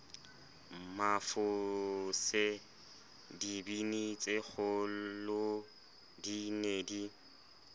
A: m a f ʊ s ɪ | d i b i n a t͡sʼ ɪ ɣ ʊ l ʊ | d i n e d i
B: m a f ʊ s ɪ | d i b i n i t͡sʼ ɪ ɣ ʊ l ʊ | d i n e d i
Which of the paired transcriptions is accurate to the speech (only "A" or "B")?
B